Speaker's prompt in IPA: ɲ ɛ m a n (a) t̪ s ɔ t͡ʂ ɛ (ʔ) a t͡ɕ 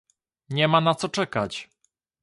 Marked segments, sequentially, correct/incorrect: correct, incorrect: k

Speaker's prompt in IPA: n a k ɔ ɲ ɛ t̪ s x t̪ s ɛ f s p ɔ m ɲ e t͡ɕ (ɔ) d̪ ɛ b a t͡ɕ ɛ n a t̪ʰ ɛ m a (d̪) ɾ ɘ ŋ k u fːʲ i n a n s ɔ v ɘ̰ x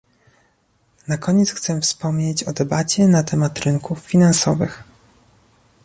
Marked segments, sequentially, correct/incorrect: correct, incorrect: t̪

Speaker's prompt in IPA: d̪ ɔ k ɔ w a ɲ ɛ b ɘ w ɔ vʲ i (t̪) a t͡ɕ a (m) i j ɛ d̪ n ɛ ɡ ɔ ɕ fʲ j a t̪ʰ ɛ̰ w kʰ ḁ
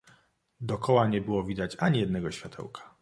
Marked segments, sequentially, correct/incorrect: incorrect: d̪, incorrect: ɲ

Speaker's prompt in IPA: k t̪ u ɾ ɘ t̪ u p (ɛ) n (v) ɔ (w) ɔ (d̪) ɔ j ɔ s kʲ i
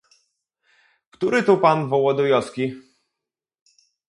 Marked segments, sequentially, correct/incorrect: incorrect: a, correct, correct, correct

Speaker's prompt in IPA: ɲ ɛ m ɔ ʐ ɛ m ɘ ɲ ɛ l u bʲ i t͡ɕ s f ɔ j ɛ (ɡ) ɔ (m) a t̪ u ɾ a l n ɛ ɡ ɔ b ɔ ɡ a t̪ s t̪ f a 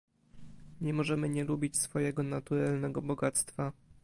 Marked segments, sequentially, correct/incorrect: correct, incorrect: n

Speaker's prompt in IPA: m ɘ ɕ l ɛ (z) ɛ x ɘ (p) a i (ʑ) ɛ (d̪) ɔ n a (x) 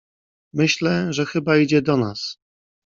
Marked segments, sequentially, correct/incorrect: incorrect: ʐ, incorrect: b, incorrect: d͡ʑ, correct, incorrect: s

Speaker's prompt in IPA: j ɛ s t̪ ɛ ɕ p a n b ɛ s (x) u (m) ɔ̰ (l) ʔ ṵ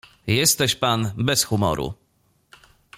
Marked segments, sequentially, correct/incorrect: correct, correct, incorrect: ɾ

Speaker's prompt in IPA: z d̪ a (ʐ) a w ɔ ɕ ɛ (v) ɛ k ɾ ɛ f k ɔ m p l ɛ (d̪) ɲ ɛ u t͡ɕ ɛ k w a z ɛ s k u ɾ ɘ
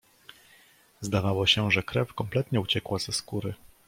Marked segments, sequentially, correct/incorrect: incorrect: v, incorrect: ʐ, incorrect: t̪

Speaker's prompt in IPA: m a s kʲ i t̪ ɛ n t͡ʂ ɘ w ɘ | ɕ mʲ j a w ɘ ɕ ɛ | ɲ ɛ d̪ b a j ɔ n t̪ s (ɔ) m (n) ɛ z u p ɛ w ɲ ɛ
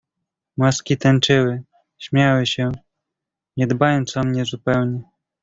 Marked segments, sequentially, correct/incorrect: correct, incorrect: ɲ

